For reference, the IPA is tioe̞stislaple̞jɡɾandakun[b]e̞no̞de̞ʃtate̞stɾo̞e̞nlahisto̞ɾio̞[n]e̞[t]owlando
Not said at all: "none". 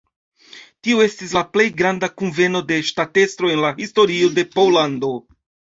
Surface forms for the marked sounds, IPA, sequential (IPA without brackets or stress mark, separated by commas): v, d, p